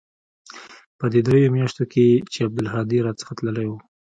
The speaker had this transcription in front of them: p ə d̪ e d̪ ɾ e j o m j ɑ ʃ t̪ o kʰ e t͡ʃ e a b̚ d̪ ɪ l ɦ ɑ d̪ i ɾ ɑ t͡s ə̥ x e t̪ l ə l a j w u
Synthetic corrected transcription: p ə d̪ e d̪ ɾ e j o m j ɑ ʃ t̪ o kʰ e t͡ʃ e a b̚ d̪ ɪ l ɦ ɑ d̪ i ɾ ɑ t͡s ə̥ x a t̪ l ə l a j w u